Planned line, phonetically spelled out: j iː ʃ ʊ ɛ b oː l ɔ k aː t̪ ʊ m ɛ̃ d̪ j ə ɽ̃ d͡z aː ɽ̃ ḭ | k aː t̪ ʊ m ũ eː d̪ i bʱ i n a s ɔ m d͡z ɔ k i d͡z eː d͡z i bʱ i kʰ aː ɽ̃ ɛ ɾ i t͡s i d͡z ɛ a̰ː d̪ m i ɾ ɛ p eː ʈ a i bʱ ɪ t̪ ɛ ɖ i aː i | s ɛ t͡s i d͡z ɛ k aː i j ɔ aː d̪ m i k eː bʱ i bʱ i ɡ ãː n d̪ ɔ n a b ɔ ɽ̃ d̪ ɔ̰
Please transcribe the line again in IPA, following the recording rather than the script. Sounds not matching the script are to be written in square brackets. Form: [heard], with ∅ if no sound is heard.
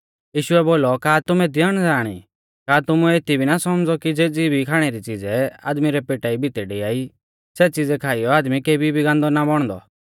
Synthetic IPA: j iː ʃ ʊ ɛ b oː l ɔ k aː t̪ ʊ m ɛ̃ d̪ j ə ɽ̃ d͡z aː ɽ̃ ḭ | k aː t̪ ʊ m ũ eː [t̪] i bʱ i n a s ɔ m d͡z ɔ k i d͡z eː d͡z i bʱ i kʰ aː ɽ̃ ɛ ɾ i t͡s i d͡z ɛ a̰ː d̪ m i ɾ ɛ p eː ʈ a i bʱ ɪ t̪ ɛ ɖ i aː i | s ɛ t͡s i d͡z ɛ [kʰ] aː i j ɔ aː d̪ m i k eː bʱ i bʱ i ɡ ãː n d̪ ɔ n a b ɔ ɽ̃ d̪ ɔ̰

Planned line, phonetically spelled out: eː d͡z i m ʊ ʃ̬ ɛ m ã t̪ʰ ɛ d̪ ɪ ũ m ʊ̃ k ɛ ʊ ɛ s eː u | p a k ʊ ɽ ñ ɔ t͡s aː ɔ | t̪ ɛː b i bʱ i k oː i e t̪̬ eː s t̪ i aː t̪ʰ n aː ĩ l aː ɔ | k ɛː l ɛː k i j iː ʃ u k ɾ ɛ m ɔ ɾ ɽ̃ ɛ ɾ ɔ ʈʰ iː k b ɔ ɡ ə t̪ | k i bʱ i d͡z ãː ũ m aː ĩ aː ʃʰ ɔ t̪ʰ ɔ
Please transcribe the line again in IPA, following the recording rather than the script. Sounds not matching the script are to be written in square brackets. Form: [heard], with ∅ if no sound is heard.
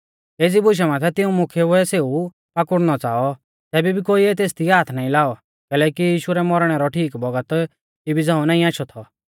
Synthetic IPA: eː d͡z i [b] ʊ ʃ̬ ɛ m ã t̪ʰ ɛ [t̪] ɪ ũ m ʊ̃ [kʰ] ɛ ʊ ɛ s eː u | p a k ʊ ɽ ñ ɔ t͡s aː ɔ | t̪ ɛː b i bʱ i k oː i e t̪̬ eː s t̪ i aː t̪ʰ n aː ĩ l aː ɔ | k ɛː l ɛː k i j iː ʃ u [∅] ɾ ɛ m ɔ ɾ ɽ̃ ɛ ɾ ɔ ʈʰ iː k b ɔ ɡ ə t̪ | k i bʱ i d͡z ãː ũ [n] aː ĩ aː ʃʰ ɔ t̪ʰ ɔ

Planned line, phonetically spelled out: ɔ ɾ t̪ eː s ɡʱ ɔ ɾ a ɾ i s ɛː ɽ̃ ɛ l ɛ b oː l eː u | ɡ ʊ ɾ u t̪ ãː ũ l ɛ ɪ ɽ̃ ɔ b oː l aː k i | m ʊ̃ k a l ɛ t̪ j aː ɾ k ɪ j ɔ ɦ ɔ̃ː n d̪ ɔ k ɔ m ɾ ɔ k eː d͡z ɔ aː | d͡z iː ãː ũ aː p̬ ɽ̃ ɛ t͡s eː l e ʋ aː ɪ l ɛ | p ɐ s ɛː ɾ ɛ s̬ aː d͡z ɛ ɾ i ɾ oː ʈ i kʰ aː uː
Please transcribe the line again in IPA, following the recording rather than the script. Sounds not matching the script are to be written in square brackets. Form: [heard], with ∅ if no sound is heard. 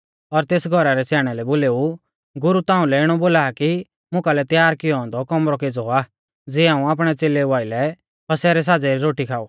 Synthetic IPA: ɔ ɾ t̪ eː s ɡʱ ɔ ɾ a ɾ [ɛ] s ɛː ɽ̃ ɛ l ɛ b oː l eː u | ɡ ʊ ɾ u t̪ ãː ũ l ɛ ɪ ɽ̃ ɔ b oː l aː k i | m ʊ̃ k a l ɛ t̪ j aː ɾ k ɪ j ɔ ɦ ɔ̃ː n d̪ ɔ k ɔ m ɾ ɔ k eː d͡z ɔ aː | d͡z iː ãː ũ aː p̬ ɽ̃ ɛ t͡s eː l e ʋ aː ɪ l ɛ | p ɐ s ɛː ɾ ɛ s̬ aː d͡z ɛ ɾ i ɾ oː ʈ i kʰ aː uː

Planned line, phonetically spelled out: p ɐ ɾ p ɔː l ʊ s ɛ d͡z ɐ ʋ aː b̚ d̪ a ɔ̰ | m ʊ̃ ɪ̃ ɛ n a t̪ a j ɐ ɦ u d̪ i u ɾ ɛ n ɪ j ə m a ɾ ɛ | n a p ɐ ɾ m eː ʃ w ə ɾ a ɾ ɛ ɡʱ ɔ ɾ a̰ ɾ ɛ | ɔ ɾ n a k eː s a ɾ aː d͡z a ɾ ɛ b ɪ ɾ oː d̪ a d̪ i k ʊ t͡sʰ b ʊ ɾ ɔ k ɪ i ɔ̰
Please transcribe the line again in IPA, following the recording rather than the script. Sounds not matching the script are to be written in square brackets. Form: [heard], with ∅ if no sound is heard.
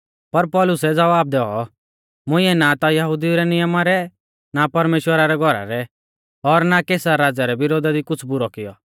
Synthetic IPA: p ɐ ɾ p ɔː l ʊ s ɛ d͡z ɐ ʋ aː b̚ d̪ [ɛ] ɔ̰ | m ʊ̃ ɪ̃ ɛ n a t̪ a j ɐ ɦ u d̪ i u ɾ ɛ n ɪ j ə m a ɾ ɛ | n a p ɐ ɾ m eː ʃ w ə ɾ a ɾ ɛ ɡʱ ɔ ɾ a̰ ɾ ɛ | ɔ ɾ n a k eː s a ɾ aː d͡z a ɾ ɛ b ɪ ɾ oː d̪ a d̪ i k ʊ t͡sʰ b ʊ ɾ ɔ k ɪ [j] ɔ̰

